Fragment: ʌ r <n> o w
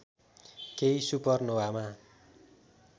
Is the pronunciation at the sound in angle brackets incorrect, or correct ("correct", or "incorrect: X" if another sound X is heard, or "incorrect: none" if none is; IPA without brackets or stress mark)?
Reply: correct